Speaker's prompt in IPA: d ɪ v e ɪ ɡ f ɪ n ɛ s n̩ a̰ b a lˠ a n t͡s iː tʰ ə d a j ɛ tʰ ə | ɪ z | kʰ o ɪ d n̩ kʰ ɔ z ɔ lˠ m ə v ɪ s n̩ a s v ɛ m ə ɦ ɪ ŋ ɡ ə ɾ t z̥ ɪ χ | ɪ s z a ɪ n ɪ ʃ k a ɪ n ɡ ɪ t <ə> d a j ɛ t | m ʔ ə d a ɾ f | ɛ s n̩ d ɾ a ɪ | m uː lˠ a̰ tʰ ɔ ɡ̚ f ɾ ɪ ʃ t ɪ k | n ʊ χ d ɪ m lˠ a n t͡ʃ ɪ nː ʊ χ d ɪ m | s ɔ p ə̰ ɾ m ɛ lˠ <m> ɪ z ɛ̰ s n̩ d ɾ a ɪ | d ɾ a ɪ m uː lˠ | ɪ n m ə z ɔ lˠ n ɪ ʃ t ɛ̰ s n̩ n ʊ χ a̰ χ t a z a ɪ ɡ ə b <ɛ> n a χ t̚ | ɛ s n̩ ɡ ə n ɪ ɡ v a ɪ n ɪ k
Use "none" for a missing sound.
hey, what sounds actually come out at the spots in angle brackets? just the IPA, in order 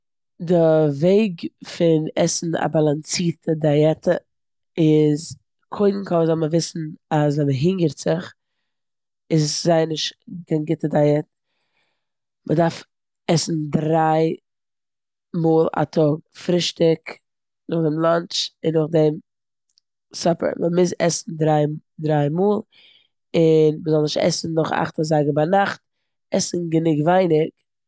ə, m, a

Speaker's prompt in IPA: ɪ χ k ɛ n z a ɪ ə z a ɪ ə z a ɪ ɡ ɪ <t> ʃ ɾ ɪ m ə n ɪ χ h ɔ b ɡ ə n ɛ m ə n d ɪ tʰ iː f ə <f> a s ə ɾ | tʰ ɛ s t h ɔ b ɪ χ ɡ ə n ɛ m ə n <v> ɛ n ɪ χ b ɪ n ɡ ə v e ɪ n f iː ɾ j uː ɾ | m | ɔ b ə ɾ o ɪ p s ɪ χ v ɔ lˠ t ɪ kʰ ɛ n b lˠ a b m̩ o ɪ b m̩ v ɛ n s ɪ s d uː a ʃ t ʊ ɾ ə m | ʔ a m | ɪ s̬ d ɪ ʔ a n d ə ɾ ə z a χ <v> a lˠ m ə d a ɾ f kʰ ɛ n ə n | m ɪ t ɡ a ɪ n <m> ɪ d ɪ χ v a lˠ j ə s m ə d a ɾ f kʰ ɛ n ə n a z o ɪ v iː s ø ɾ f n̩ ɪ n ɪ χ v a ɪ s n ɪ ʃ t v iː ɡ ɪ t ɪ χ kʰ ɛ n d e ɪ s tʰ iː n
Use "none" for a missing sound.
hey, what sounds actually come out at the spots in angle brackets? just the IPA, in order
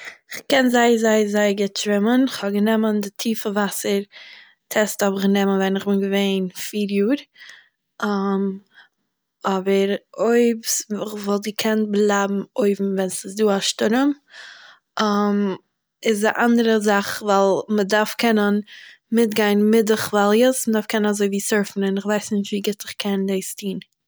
t, v, v, v, m

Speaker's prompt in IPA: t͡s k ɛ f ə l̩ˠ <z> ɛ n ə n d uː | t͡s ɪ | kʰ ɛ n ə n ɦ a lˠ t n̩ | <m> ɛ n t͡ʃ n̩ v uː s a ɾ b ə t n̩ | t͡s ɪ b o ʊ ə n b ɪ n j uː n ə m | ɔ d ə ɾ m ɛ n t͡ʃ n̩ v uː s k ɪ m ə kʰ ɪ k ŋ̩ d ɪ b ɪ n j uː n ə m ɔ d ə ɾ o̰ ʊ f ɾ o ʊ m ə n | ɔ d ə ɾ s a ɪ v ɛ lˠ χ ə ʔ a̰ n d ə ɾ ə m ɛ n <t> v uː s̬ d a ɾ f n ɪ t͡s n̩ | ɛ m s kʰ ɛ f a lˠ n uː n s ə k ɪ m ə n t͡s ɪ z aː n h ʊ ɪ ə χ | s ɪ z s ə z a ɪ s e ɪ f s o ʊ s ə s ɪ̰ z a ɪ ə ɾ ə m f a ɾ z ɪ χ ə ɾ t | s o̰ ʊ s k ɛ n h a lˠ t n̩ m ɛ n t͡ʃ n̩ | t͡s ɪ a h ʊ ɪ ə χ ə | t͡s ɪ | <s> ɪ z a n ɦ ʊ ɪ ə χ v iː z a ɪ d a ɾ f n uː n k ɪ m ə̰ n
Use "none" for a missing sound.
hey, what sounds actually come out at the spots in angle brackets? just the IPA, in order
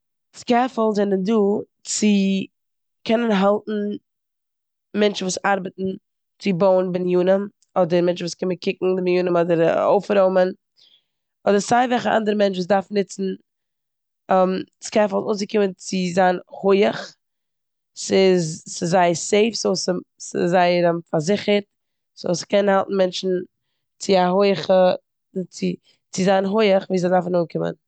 z, m, t͡ʃ, t͡s

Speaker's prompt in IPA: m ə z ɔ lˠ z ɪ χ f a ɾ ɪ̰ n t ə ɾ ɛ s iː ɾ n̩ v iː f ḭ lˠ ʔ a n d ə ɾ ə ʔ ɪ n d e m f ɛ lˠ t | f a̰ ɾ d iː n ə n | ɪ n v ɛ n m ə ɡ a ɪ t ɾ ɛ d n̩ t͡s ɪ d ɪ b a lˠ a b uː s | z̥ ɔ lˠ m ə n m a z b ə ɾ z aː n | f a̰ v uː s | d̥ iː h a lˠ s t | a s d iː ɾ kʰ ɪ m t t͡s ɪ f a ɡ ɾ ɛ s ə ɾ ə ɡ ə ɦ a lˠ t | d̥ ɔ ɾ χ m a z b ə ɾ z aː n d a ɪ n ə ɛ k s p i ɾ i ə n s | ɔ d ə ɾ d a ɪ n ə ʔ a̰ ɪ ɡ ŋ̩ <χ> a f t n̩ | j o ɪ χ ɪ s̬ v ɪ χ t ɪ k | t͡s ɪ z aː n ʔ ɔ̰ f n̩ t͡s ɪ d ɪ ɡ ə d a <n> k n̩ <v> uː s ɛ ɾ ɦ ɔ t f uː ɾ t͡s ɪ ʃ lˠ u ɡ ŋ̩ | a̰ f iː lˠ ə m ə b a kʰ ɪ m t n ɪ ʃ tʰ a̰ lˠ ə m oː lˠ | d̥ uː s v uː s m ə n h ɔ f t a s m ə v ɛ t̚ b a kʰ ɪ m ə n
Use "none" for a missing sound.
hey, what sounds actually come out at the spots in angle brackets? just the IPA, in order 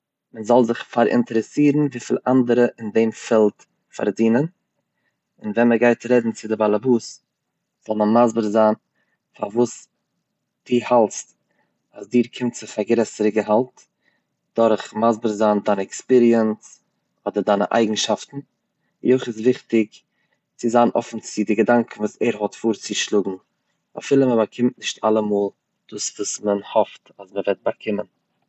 ʃ, ŋ, v

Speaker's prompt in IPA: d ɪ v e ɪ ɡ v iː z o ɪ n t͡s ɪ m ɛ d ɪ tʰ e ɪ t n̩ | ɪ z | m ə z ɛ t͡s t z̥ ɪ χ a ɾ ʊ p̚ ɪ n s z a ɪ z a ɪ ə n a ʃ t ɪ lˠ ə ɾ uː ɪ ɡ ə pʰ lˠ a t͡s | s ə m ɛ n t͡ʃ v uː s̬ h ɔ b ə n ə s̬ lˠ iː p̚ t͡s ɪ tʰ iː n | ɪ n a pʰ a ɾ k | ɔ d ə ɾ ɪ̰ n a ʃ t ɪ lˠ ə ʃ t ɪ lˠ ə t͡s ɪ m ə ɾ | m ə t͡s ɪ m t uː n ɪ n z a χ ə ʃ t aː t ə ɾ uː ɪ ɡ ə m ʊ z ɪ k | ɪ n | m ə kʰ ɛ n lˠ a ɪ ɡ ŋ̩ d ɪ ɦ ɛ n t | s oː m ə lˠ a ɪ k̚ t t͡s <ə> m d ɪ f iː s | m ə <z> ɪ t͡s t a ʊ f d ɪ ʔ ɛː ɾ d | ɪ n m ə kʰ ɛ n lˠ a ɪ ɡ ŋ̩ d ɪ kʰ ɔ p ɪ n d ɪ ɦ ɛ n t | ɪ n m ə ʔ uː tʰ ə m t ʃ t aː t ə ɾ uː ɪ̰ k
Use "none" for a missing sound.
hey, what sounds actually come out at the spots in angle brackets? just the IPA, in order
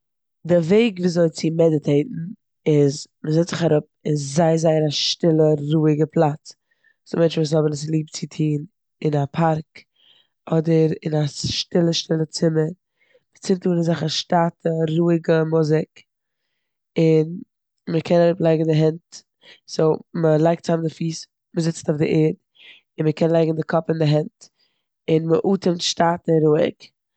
a, z

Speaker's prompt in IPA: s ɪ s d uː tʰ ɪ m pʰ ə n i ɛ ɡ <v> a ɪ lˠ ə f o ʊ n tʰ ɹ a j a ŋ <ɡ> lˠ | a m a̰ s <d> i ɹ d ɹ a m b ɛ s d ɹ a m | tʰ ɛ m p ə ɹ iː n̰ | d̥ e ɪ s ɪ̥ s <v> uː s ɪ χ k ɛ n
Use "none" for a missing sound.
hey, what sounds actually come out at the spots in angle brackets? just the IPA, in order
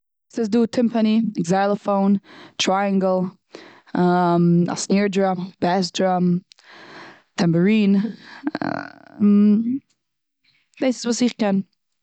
z, ɡ, n, v

